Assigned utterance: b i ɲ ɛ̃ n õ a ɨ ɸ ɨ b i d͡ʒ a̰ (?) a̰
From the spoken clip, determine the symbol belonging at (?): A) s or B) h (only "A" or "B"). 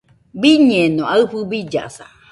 A